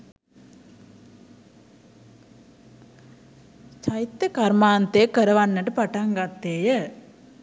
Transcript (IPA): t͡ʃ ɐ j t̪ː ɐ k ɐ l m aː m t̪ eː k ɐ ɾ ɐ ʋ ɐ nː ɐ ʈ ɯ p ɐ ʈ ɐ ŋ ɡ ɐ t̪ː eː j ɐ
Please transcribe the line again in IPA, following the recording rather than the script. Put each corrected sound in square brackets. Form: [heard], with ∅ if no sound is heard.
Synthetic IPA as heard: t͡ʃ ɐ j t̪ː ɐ k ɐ [ɾ] m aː [n] t̪ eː k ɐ ɾ ɐ ʋ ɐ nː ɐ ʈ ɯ p ɐ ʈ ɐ ŋ ɡ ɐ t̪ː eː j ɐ

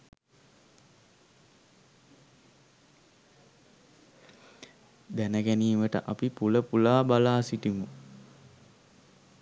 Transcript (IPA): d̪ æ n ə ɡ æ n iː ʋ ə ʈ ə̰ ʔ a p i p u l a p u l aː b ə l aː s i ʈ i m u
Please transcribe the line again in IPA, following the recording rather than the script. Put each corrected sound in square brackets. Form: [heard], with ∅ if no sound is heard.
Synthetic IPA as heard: d̪ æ n ə ɡ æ n iː ʋ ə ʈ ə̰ ʔ a p i p u l [ə] p u l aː b [a] l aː s i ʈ i m u

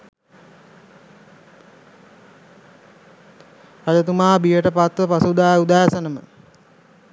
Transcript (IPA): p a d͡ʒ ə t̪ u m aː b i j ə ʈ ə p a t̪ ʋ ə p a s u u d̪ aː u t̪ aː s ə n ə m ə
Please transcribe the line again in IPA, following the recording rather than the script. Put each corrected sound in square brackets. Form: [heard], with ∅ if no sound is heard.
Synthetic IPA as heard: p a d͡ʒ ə t̪ u m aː b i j ə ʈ ə p a t̪ ʋ ə p a s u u d̪ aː u [d̪] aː s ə n ə m ə

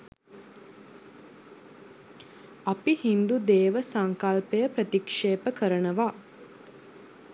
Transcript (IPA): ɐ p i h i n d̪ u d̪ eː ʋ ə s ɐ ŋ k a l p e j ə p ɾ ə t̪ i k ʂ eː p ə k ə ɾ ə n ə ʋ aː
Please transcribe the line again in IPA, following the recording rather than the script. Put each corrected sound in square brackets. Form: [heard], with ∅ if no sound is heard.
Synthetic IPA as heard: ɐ p i h i n d̪ u d̪ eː ʋ ə s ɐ ŋ k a l p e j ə p ɾ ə t̪ i k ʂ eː p ə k ə ɾ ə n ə ʋ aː

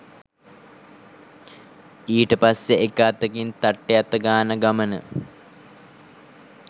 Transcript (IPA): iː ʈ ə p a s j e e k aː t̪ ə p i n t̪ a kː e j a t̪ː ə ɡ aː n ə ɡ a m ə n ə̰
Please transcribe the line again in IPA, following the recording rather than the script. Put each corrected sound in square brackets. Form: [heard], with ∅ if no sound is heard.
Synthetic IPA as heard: iː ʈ ə p a s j e e k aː t̪ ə [k] i n t̪ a [ʈː] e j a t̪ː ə ɡ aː n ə ɡ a m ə n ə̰

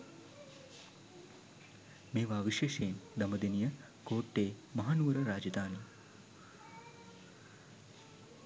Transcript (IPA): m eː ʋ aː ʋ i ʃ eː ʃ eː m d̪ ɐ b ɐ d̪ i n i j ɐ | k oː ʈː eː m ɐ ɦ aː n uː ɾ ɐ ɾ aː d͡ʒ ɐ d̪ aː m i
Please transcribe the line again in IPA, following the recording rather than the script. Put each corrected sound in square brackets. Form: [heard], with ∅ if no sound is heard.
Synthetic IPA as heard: m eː ʋ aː ʋ i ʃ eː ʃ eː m d̪ ɐ [m] ɐ d̪ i n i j ɐ | k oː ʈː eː m ɐ ɦ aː n uː ɾ ɐ ɾ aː d͡ʒ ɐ d̪ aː [n] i

